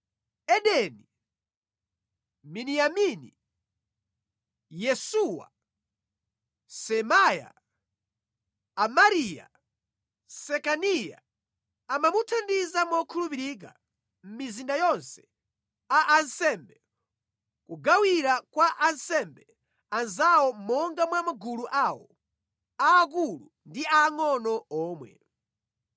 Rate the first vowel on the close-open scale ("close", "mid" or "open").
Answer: mid